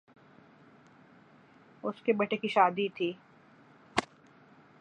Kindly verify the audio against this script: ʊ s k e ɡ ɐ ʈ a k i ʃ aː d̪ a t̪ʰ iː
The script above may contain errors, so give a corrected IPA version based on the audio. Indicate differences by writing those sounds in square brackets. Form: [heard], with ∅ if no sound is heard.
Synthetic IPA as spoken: ʊ s k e [b] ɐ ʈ [e] k i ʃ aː d̪ [i] t̪ʰ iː